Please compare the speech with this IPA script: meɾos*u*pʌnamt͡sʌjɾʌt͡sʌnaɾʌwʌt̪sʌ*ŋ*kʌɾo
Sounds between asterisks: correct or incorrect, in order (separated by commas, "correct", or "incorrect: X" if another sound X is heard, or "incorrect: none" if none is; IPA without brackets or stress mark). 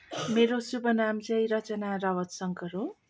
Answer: correct, correct